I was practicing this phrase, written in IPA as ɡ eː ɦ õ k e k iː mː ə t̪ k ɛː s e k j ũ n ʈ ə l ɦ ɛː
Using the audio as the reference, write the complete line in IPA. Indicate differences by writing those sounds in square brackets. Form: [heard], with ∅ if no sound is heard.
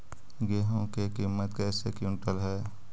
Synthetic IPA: ɡ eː ɦ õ k e k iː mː ə t̪ k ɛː s e k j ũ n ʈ ə l ɦ ɛː

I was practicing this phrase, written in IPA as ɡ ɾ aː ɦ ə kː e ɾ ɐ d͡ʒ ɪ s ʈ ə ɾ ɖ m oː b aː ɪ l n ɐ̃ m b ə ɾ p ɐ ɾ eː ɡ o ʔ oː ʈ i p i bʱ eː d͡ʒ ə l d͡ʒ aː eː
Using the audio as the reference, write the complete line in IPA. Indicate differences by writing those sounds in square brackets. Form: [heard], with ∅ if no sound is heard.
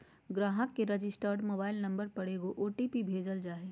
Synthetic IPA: ɡ ɾ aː ɦ ə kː e ɾ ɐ d͡ʒ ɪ s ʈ ə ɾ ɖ m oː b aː ɪ l n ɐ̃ m b ə ɾ p ɐ [ɽ] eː ɡ o ʔ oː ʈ i p i bʱ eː d͡ʒ ə l d͡ʒ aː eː

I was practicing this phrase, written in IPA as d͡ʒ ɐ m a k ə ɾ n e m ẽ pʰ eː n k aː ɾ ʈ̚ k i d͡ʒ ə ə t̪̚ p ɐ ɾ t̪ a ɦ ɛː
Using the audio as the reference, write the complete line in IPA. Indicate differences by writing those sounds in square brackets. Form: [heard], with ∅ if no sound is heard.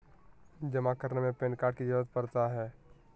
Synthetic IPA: d͡ʒ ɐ m a k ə ɾ n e m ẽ [p] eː n k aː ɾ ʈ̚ k i d͡ʒ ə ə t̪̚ p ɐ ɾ t̪ a ɦ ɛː

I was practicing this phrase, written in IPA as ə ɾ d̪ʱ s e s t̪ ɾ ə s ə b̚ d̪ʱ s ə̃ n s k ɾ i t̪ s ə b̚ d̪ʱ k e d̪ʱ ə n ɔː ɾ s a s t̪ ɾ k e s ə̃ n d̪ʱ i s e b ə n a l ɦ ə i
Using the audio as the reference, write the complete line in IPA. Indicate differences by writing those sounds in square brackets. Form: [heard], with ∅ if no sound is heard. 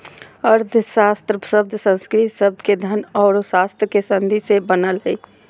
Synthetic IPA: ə ɾ d̪ʱ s [a] s t̪ ɾ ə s ə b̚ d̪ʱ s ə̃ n s k ɾ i t̪ s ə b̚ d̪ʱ k e d̪ʱ ə n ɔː ɾ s a s t̪ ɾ k e s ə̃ n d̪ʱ i s e b ə n [ə] l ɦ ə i

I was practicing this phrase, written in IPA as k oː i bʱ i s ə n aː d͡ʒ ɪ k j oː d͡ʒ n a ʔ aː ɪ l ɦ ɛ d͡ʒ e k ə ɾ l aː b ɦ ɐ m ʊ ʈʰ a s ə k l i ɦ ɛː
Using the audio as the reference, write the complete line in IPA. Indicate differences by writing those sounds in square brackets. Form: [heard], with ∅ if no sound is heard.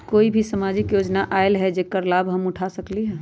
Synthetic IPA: k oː i bʱ i s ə [m] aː d͡ʒ ɪ k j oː d͡ʒ n a ʔ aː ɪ l ɦ ɛ d͡ʒ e k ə ɾ l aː b ɦ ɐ m ʊ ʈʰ a s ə k l i ɦ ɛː

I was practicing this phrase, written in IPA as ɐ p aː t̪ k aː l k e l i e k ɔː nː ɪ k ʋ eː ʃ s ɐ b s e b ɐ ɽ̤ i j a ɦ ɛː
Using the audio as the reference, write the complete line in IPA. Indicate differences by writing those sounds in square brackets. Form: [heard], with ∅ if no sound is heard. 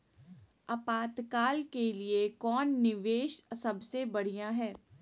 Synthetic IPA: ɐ p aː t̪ k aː l k e l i e k ɔː nː ɪ [∅] ʋ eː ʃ s ɐ b s e b ɐ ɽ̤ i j a ɦ ɛː

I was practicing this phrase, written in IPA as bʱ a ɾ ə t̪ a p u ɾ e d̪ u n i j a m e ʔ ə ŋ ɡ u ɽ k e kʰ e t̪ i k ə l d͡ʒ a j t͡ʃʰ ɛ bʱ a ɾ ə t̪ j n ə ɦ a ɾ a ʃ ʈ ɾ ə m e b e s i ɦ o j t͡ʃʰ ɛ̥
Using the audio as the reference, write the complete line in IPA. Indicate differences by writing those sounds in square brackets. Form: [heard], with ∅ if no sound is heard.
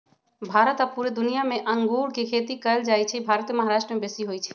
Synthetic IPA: bʱ a ɾ ə t̪ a p u ɾ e d̪ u n i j a m e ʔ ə ŋ ɡ u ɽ k e kʰ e t̪ i k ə l d͡ʒ a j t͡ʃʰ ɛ bʱ a ɾ ə t̪ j [m] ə ɦ a ɾ a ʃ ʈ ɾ ə m e b e s i ɦ o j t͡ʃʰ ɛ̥

